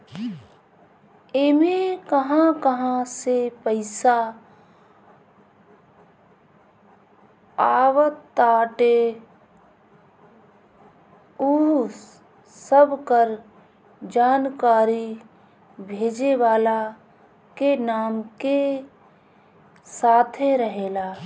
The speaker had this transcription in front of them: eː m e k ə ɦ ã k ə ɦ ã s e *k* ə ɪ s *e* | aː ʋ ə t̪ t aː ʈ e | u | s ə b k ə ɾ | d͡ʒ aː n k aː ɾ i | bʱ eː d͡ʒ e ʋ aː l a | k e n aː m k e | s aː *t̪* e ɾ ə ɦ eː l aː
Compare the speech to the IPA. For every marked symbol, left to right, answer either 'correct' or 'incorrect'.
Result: incorrect, incorrect, incorrect

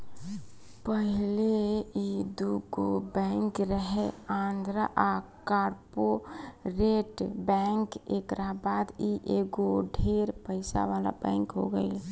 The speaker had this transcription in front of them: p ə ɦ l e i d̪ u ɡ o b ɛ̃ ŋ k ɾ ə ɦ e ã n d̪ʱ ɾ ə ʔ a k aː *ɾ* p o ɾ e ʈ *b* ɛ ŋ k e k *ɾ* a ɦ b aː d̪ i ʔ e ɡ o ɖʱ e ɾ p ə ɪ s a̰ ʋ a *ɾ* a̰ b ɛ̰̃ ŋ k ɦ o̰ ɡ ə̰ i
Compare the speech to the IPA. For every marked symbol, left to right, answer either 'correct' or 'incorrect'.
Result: correct, correct, correct, incorrect

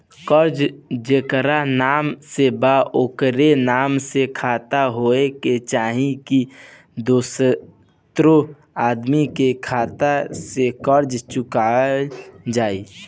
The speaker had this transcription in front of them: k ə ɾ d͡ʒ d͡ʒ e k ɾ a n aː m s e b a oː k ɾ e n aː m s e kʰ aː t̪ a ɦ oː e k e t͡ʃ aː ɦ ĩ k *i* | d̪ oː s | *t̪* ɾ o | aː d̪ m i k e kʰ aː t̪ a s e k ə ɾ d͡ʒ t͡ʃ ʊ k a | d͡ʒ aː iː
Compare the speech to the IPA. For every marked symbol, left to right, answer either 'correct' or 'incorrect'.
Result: correct, correct

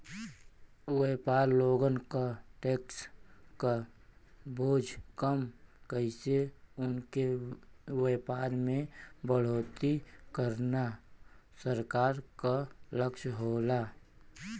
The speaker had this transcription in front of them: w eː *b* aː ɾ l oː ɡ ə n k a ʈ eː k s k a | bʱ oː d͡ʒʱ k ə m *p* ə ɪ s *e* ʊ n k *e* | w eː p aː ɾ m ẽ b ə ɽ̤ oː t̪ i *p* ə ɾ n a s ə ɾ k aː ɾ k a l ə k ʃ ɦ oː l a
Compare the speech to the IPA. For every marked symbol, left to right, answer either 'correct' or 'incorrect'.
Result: incorrect, incorrect, correct, correct, incorrect

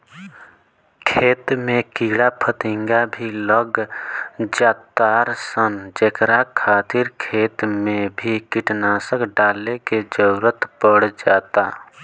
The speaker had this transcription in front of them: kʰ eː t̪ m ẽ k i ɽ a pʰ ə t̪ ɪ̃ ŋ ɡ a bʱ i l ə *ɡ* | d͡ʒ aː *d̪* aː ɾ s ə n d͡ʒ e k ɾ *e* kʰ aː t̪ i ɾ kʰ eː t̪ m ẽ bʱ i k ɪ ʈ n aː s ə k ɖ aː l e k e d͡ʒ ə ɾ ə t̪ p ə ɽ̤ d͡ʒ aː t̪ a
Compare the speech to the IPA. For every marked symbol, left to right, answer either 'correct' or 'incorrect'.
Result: correct, incorrect, incorrect

